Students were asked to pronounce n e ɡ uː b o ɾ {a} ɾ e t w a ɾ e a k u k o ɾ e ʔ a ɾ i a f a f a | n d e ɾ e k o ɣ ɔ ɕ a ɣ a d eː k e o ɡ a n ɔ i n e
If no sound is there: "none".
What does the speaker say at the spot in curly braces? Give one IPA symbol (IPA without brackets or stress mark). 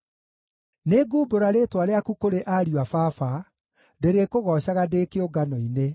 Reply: a